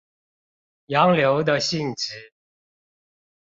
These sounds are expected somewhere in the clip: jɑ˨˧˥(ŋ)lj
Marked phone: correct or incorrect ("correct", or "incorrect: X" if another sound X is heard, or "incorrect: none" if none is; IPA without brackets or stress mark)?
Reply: correct